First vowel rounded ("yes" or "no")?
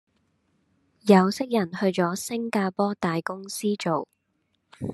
no